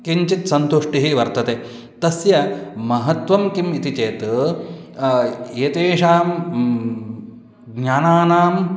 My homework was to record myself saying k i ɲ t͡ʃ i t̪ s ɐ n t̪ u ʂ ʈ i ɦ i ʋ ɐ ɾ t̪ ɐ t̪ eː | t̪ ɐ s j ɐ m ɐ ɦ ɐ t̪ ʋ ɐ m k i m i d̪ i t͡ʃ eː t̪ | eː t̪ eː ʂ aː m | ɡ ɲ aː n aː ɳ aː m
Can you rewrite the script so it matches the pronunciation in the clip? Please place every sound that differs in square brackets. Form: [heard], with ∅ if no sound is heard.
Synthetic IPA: k i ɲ t͡ʃ i t̪ s ɐ n t̪ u ʂ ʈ i ɦ i ʋ ɐ ɾ t̪ ɐ t̪ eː | t̪ ɐ s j ɐ m ɐ ɦ ɐ t̪ ʋ ɐ m k i m i [t̪] i t͡ʃ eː t̪ | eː t̪ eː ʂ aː m | ɡ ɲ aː n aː [n] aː m